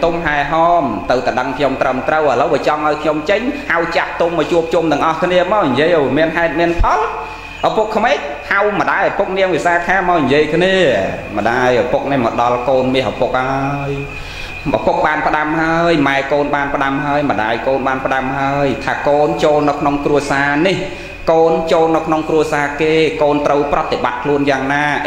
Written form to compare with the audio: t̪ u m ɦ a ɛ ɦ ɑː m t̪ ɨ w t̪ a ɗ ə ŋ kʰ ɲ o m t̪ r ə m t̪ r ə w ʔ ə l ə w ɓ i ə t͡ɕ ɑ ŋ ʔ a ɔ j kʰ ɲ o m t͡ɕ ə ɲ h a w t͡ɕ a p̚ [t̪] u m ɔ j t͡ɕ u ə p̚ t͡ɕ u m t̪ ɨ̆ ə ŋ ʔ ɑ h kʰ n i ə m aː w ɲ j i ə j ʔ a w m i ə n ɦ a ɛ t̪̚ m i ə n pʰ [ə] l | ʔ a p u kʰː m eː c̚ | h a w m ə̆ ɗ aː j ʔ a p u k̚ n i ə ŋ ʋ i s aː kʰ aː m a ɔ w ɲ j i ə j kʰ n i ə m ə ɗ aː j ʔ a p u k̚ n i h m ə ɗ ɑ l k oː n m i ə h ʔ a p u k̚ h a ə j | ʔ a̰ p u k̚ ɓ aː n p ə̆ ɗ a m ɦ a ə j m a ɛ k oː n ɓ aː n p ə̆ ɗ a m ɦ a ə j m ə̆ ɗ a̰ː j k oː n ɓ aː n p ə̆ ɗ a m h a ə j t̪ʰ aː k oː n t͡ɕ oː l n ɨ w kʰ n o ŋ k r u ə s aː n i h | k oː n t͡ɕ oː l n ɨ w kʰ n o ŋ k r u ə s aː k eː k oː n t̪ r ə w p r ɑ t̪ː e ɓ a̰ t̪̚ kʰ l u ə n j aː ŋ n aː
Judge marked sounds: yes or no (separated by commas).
yes, no